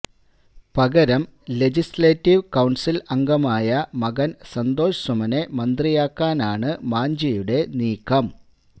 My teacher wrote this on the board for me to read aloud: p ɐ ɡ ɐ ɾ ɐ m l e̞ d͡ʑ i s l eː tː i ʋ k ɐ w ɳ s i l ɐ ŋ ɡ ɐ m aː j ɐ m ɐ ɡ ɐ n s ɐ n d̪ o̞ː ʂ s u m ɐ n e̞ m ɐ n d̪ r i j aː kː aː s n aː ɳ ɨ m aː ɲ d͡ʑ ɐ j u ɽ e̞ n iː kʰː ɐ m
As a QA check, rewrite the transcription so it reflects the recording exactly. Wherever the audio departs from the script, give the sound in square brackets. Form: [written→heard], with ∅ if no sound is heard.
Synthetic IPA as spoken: p ɐ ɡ ɐ ɾ ɐ m l e̞ d͡ʑ i s l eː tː i ʋ k ɐ w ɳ s i l ɐ ŋ ɡ ɐ m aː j ɐ m ɐ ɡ ɐ n s ɐ n d̪ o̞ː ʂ s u m ɐ n e̞ m ɐ n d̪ r i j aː kː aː [s→∅] n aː ɳ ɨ m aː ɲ d͡ʑ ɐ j u ɽ e̞ n iː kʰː ɐ m

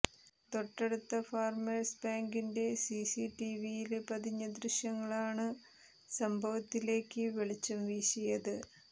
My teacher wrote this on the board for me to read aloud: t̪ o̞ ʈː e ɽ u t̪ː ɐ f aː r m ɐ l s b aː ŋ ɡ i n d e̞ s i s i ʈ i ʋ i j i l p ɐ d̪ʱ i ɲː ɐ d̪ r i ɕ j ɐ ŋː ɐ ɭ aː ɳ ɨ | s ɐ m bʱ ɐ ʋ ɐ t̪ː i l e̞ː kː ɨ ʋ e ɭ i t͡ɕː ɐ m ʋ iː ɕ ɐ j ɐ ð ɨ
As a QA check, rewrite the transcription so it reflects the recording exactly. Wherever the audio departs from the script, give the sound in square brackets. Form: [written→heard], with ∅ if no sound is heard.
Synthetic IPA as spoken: t̪ o̞ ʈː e ɽ u t̪ː ɐ f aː r m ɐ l s b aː ŋ ɡ i n d e̞ s i s i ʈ i ʋ i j i l p ɐ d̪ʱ i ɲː ɐ d̪ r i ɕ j ɐ ŋː ɐ ɭ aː ɳ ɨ | s ɐ m bʱ ɐ ʋ ɐ t̪ː i l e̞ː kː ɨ ʋ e ɭ i t͡ɕː ɐ m ʋ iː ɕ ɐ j ɐ ð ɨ

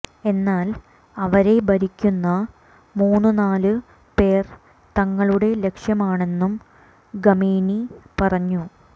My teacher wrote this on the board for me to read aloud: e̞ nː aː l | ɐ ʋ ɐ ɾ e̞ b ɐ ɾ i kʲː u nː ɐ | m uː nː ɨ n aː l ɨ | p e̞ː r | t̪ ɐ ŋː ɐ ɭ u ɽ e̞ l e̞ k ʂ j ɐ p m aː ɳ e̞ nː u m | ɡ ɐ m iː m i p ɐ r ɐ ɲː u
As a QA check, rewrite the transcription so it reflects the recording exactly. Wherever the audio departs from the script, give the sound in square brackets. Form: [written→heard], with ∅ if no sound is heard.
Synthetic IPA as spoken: e̞ nː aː l | ɐ ʋ ɐ ɾ e̞ b ɐ ɾ i kʲː u nː ɐ | m uː nː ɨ n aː l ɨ | p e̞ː r | t̪ ɐ ŋː ɐ ɭ u ɽ e̞ l e̞ k ʂ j ɐ [p→∅] m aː ɳ e̞ nː u m | ɡ ɐ m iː [m→n] i p ɐ r ɐ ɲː u

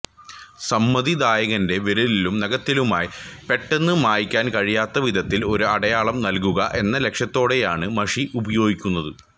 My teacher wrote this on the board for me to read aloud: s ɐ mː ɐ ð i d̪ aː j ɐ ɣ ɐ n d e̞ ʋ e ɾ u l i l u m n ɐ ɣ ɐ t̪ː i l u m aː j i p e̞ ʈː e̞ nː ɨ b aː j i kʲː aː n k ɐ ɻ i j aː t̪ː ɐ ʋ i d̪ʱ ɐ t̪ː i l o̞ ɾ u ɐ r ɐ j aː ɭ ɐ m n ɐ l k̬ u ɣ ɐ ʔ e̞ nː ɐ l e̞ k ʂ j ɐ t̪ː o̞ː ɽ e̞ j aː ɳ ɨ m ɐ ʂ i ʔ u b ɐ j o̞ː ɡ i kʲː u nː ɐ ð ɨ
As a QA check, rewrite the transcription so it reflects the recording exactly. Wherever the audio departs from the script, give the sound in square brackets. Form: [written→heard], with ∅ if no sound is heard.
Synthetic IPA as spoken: s ɐ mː ɐ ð i d̪ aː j ɐ ɣ ɐ n d e̞ ʋ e ɾ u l i l u m n ɐ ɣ ɐ t̪ː i l u m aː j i p e̞ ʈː e̞ nː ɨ [b→m] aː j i kʲː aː n k ɐ ɻ i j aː t̪ː ɐ ʋ i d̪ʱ ɐ t̪ː i l o̞ ɾ u ɐ [r→ɽ] ɐ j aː ɭ ɐ m n ɐ l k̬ u ɣ ɐ ʔ e̞ nː ɐ l e̞ k ʂ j ɐ t̪ː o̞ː ɽ e̞ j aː ɳ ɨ m ɐ ʂ i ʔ u b ɐ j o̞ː ɡ i kʲː u nː ɐ ð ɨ

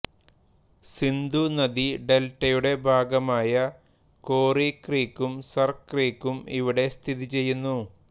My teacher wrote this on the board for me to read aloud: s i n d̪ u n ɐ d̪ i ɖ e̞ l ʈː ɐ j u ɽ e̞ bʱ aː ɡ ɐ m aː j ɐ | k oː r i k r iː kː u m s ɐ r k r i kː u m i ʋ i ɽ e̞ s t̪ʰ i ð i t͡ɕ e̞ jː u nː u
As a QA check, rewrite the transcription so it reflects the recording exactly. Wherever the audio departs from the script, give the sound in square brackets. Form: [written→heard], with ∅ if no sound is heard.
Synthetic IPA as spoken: s i n d̪ u n ɐ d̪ i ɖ e̞ l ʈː ɐ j u ɽ e̞ bʱ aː ɡ ɐ m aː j ɐ | k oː r i k r iː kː u m s ɐ r k r [i→iː] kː u m i ʋ i ɽ e̞ s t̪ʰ i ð i t͡ɕ e̞ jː u nː u

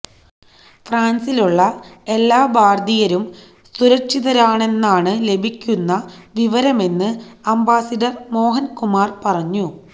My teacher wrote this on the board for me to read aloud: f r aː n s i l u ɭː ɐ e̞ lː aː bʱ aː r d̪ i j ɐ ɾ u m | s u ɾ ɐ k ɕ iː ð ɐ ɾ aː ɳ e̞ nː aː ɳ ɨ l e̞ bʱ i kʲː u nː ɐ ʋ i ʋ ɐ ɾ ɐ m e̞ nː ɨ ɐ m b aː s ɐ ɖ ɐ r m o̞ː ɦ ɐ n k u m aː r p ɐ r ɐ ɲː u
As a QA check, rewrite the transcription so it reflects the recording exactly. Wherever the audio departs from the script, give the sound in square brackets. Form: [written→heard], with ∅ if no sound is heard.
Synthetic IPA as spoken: f r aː n s i l u ɭː ɐ e̞ lː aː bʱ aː r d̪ i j ɐ ɾ u m | s u ɾ ɐ k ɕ [iː→i] ð ɐ ɾ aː ɳ e̞ nː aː ɳ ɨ l e̞ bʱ i kʲː u nː ɐ ʋ i ʋ ɐ ɾ ɐ m e̞ nː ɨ ɐ m b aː s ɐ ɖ ɐ r m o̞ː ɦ ɐ n k u m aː r p ɐ r ɐ ɲː u

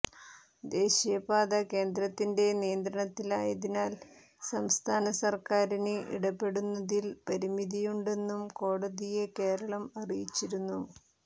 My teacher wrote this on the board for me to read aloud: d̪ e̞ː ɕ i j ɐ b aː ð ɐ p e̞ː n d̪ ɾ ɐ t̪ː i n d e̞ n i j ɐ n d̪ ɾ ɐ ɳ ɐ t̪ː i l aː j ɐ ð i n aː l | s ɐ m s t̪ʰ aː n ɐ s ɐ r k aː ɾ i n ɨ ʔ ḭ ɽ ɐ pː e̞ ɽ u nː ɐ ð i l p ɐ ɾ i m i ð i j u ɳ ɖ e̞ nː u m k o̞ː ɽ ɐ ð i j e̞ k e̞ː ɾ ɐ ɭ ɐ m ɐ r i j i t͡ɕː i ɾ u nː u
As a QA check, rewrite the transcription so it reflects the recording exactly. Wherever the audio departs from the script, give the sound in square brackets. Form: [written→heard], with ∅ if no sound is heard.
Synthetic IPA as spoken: d̪ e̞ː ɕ i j ɐ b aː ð ɐ [p→k] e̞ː n d̪ ɾ ɐ t̪ː i n d e̞ n i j ɐ n d̪ ɾ ɐ ɳ ɐ t̪ː i l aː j ɐ ð i n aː l | s ɐ m s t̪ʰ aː n ɐ s ɐ r k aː ɾ i n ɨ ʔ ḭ ɽ ɐ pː e̞ ɽ u nː ɐ ð i l p ɐ ɾ i m i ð i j u ɳ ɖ e̞ nː u m k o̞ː ɽ ɐ ð i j e̞ k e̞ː ɾ ɐ ɭ ɐ m ɐ r i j i t͡ɕː i ɾ u nː u

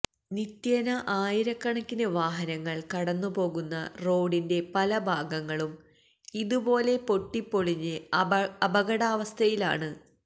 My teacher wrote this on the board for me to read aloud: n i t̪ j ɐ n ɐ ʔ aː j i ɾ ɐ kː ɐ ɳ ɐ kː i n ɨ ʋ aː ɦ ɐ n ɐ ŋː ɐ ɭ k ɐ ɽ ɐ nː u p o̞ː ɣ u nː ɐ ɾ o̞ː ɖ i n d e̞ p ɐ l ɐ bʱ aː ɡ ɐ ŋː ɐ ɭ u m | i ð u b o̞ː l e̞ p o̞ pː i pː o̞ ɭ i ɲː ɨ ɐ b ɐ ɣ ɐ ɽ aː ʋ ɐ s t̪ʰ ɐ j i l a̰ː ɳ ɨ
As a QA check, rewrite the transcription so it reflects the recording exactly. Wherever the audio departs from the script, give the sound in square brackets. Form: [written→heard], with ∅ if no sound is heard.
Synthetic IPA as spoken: n i t̪ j ɐ n ɐ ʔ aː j i ɾ ɐ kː ɐ ɳ ɐ kː i n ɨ ʋ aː ɦ ɐ n ɐ ŋː ɐ ɭ k ɐ ɽ ɐ nː u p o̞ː ɣ u nː ɐ [ɾ→r] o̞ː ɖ i n d e̞ p ɐ l ɐ bʱ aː ɡ ɐ ŋː ɐ ɭ u m | i ð u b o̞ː l e̞ p o̞ [pː→ʈː] i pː o̞ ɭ i ɲː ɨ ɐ b ɐ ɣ ɐ ɽ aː ʋ ɐ s t̪ʰ ɐ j i l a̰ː ɳ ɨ

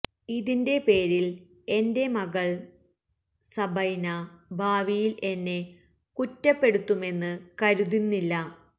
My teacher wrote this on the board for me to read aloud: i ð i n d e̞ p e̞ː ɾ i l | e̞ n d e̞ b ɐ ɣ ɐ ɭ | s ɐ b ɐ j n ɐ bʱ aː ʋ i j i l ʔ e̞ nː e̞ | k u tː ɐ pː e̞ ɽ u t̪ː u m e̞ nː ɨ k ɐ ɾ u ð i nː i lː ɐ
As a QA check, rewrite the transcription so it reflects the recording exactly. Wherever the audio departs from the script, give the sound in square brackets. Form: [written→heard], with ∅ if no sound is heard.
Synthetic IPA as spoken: i ð i n d e̞ p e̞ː ɾ i l | e̞ n d e̞ [b→m] ɐ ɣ ɐ ɭ | s ɐ b ɐ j n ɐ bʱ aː ʋ i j i l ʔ e̞ nː e̞ | k u tː ɐ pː e̞ ɽ u t̪ː u m e̞ nː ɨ k ɐ ɾ u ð i nː i lː ɐ

